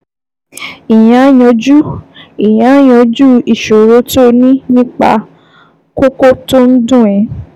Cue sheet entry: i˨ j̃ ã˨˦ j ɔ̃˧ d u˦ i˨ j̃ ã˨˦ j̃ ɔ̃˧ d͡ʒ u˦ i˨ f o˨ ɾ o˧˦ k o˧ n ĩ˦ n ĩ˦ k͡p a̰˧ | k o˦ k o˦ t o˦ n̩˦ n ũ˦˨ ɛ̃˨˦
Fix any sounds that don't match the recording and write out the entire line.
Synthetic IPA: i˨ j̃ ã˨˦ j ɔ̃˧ d͡ʒ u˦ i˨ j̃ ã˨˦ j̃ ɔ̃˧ d͡ʒ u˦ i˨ ʃ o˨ ɾ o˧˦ t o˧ n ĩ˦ n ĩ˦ k͡p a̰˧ | k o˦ k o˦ t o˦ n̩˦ d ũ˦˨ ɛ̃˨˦